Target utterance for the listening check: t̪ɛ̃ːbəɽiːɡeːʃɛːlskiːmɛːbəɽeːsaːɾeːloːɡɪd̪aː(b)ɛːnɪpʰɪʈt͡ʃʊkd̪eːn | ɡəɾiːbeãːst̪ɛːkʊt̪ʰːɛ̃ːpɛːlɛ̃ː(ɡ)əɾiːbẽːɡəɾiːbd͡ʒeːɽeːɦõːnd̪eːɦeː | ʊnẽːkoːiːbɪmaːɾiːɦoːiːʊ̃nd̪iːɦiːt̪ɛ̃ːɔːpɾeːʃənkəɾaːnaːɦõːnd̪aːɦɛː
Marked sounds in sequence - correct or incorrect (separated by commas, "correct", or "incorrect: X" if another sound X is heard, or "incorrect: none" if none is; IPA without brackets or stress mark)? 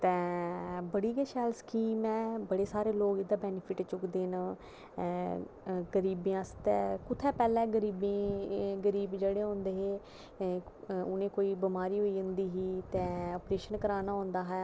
correct, correct